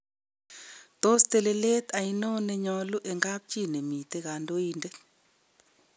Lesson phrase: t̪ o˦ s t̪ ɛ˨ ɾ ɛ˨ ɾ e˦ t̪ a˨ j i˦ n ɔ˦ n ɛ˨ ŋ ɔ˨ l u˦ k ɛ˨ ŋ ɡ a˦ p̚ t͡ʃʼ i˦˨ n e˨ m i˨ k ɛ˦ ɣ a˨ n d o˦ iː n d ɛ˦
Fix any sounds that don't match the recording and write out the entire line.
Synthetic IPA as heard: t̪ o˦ s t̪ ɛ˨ l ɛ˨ l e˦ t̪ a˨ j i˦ n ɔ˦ n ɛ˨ ɲ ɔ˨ l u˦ ʔ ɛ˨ ŋ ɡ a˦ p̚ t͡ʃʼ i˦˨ n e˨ m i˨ t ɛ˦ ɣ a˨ n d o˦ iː n d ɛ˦